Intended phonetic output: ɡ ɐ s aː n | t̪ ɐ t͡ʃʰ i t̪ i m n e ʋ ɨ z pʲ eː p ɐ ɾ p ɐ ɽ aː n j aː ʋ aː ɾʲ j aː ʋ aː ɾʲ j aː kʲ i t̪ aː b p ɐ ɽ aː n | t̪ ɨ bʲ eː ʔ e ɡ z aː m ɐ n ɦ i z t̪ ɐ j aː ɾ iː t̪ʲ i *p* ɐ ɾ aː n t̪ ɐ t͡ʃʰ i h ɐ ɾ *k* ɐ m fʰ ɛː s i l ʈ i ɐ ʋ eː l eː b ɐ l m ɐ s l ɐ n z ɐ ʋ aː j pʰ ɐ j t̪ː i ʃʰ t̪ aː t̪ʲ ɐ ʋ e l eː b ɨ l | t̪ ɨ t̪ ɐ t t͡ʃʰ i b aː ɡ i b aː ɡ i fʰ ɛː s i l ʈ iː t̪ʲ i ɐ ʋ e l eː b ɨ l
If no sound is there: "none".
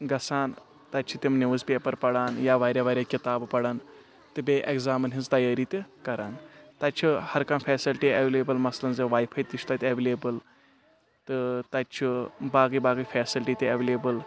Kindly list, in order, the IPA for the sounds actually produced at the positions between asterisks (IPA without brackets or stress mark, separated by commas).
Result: k, k